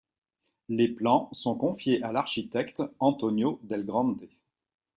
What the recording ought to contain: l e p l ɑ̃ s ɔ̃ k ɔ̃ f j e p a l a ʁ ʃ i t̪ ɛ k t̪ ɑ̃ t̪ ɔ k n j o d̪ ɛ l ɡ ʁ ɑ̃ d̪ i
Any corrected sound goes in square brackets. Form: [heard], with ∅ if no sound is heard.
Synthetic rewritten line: l e p l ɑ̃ s ɔ̃ k ɔ̃ f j e [ʔ] a l a ʁ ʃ i t̪ ɛ k t̪ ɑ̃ t̪ ɔ [∅] n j o d̪ ɛ l ɡ ʁ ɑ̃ d̪ [e]